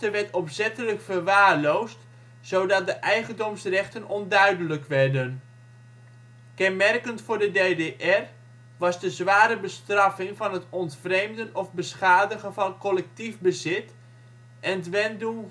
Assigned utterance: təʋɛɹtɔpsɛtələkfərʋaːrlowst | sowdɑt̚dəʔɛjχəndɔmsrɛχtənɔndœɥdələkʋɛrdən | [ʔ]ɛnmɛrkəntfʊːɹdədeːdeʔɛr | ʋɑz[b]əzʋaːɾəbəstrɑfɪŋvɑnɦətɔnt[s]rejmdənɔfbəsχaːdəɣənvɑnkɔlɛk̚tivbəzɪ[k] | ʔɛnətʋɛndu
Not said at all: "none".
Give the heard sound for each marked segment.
k, d, f, t

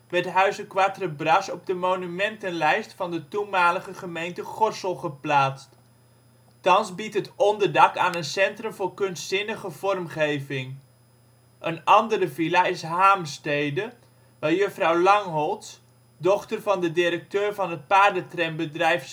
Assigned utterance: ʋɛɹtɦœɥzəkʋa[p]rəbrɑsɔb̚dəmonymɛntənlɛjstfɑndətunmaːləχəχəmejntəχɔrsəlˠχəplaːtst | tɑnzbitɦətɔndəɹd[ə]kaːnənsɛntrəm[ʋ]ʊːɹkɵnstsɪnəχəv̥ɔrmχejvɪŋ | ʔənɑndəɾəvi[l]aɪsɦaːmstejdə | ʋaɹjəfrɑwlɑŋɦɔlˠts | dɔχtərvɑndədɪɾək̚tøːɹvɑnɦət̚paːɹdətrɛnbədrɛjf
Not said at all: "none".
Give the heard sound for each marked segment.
t, ɑ, v, l

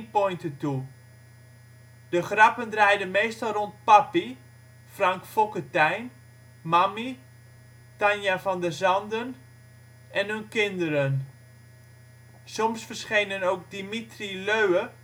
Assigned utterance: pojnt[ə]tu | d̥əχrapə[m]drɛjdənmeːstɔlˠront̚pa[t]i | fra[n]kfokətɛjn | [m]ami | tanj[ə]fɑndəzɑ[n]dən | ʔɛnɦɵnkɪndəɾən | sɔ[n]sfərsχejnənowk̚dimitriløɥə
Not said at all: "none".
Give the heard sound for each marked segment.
ə, n, p, ŋ, m, a, n, m

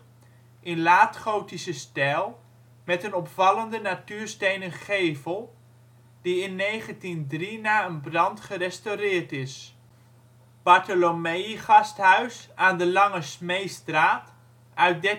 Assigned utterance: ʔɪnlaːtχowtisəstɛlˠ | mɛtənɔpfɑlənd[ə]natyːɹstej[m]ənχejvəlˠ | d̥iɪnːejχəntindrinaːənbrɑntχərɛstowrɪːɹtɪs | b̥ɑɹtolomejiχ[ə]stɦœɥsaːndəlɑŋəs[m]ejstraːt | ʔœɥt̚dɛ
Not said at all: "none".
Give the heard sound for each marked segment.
ə, n, ɑ, m

